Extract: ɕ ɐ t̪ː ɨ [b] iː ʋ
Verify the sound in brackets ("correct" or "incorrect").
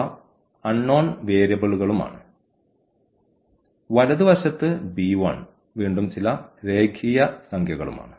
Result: correct